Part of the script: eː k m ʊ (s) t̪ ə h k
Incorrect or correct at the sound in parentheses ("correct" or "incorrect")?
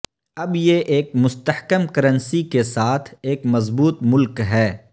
correct